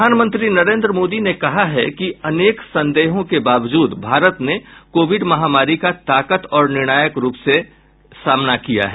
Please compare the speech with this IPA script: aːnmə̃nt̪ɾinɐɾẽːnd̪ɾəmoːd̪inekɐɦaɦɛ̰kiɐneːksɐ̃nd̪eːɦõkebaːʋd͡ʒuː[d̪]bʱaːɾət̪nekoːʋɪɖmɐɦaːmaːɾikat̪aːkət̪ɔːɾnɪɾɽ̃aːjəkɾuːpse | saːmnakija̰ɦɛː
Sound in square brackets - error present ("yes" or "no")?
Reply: no